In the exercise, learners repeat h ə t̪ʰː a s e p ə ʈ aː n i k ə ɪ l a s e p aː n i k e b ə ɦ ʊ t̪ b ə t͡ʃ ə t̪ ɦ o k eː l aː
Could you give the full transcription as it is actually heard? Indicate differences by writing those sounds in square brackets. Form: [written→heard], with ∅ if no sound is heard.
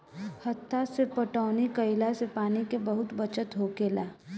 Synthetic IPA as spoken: h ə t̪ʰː a s e p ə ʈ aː n i k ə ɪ l a s e p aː n i k e b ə ɦ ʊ t̪ b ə t͡ʃ ə t̪ ɦ o k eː l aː